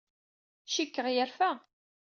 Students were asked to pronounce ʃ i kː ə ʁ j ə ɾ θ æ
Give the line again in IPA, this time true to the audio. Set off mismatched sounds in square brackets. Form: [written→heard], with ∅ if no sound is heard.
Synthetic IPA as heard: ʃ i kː ə ʁ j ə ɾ [θ→f] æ